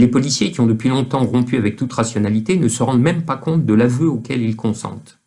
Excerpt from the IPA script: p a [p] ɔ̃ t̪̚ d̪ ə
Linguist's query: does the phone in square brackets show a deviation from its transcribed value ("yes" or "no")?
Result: yes